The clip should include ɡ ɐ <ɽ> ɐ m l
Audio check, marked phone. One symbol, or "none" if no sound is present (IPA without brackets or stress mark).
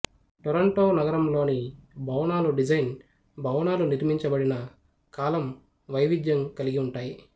ɾ